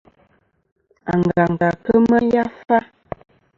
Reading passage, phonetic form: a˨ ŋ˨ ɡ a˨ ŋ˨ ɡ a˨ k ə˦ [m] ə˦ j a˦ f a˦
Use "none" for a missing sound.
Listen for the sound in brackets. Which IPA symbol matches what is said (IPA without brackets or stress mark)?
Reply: m